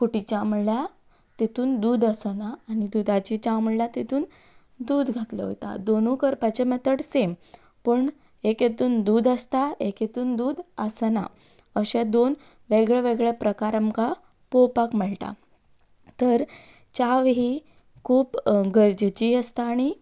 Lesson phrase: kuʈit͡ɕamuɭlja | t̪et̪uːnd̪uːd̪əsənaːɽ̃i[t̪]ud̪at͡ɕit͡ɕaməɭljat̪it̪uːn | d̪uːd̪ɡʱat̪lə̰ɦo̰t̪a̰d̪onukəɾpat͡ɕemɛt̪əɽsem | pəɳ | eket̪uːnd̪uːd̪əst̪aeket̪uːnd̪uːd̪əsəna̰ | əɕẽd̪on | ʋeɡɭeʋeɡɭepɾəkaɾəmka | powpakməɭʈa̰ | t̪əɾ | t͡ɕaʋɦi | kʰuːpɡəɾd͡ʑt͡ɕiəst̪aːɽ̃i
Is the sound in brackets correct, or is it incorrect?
incorrect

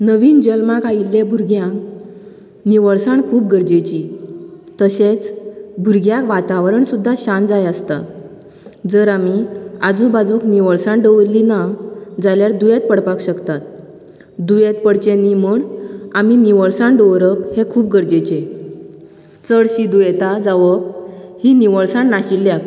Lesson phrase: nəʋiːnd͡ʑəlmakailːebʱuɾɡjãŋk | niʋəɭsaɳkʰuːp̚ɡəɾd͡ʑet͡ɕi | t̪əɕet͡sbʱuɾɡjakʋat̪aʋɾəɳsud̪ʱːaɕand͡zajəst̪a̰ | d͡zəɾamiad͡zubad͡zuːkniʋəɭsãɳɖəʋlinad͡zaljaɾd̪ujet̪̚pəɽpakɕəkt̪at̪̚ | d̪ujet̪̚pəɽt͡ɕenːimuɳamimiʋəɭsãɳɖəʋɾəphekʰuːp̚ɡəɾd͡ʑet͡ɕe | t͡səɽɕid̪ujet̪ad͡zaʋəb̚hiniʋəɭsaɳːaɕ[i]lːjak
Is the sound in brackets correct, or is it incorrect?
correct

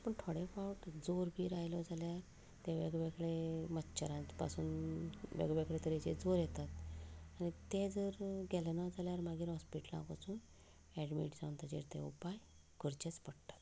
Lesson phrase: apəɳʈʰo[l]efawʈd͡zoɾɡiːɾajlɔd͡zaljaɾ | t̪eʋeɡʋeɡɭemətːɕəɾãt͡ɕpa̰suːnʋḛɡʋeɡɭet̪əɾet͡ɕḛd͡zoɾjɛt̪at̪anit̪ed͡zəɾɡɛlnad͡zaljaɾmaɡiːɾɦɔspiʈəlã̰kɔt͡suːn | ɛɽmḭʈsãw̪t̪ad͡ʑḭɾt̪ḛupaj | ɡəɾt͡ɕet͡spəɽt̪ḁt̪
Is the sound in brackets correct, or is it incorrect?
incorrect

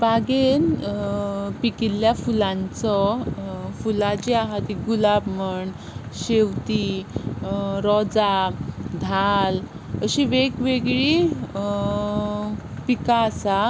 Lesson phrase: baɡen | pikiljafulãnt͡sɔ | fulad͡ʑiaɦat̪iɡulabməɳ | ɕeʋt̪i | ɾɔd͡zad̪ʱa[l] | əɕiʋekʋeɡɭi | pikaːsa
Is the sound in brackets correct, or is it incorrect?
correct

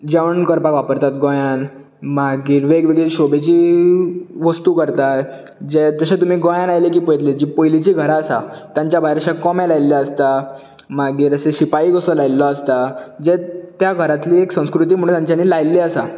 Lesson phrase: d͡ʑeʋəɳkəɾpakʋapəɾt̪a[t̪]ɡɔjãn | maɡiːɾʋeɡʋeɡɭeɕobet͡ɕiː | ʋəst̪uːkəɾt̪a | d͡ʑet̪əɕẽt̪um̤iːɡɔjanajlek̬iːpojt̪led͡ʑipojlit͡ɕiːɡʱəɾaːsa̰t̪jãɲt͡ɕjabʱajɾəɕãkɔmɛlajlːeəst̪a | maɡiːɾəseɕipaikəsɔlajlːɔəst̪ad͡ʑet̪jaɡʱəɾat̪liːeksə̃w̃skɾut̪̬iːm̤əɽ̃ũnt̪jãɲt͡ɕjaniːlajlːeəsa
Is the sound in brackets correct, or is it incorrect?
correct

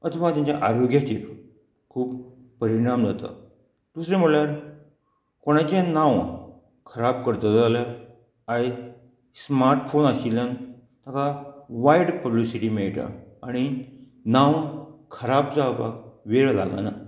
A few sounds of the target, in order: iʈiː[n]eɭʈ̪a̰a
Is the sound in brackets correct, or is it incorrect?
incorrect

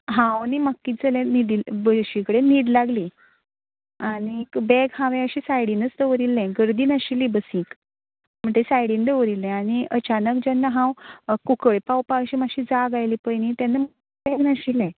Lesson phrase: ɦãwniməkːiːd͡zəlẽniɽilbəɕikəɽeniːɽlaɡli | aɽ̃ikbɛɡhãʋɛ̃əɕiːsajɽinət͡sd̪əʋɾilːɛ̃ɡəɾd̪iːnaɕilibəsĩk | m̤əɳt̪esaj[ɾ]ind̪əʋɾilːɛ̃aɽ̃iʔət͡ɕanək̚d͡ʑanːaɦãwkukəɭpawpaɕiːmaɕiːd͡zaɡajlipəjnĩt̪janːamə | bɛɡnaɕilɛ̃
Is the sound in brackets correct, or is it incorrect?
incorrect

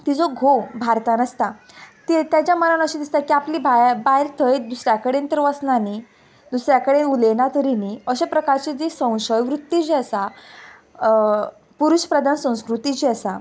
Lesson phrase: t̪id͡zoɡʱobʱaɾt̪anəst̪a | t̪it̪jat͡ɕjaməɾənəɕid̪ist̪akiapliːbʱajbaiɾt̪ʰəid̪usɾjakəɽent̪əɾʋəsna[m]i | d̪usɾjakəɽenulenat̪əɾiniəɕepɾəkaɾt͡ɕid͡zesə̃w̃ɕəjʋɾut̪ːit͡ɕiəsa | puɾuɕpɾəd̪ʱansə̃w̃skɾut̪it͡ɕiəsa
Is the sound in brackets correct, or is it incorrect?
incorrect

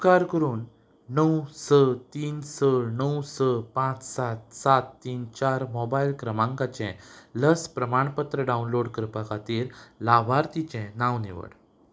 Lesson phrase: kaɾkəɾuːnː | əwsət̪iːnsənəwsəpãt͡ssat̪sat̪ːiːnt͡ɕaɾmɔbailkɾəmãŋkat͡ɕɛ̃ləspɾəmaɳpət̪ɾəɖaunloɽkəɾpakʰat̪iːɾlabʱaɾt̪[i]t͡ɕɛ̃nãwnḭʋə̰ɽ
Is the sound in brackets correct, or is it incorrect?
correct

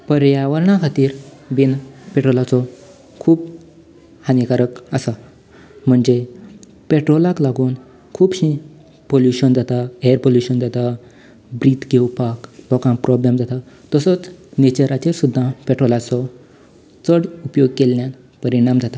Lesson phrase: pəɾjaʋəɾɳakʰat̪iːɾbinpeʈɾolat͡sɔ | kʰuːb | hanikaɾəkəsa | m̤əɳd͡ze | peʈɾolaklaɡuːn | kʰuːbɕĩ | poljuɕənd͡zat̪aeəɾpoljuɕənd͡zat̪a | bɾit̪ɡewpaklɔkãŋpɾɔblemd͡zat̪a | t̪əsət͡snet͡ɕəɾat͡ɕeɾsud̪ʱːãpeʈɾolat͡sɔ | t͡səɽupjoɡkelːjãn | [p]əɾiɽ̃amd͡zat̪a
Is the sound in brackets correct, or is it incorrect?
correct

